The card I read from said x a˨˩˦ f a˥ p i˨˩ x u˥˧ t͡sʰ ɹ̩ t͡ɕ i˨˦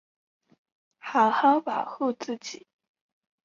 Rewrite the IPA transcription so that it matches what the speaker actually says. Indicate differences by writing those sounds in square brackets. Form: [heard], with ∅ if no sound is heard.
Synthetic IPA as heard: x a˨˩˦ [x] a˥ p [a˨˩] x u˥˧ [t͡s] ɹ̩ t͡ɕ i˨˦